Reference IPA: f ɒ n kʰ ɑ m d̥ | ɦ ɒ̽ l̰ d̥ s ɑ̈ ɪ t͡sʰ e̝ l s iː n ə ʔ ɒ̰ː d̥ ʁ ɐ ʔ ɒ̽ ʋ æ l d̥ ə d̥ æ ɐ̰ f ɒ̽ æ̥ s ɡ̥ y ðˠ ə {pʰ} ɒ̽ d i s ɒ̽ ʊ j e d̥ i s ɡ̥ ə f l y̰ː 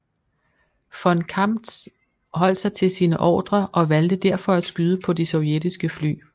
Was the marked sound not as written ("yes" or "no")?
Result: no